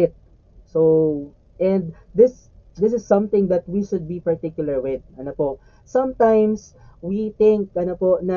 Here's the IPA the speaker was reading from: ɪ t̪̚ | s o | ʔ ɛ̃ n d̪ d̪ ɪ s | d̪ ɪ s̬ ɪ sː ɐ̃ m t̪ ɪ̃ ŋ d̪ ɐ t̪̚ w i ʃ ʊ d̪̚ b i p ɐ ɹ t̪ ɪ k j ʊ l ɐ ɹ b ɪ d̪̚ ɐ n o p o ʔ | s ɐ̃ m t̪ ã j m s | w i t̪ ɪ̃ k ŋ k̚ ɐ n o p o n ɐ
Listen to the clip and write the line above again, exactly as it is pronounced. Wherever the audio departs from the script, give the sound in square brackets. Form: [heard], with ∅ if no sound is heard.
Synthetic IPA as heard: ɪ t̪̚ | s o | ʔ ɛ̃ n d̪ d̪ ɪ s | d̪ ɪ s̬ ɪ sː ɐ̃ m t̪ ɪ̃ ŋ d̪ ɐ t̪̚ w i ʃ ʊ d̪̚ b i p ɐ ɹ t̪ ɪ k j ʊ l ɐ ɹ [w] ɪ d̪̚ ɐ n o p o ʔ | s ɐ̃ m t̪ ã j m s | w i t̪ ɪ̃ [∅] ŋ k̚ ɐ n o p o n ɐ